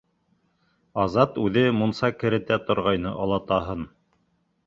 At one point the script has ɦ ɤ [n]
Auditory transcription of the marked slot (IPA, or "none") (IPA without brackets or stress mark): n